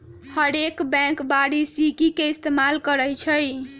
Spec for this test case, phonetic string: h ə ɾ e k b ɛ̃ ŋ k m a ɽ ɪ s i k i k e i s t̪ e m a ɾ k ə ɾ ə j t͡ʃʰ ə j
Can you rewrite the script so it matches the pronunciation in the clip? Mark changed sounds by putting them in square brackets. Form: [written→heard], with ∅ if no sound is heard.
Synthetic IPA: h ə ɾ e k b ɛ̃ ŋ k [m→b] a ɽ [ɪ→i] s i k i k e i s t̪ e m a [ɾ→l] k ə ɾ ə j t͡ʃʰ ə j